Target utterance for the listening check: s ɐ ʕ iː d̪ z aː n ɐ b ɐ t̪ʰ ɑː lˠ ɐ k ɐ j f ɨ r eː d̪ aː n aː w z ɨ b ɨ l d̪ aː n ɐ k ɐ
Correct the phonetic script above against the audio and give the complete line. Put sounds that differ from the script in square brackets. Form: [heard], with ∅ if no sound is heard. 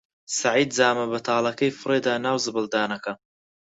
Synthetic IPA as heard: s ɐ ʕ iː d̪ z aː [m] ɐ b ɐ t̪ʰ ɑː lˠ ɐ k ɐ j f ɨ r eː d̪ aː n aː w z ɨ b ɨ l d̪ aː n ɐ k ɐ